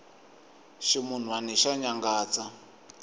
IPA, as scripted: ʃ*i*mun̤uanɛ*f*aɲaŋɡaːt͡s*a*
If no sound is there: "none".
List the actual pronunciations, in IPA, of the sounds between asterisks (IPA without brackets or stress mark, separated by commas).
i, ʃ, a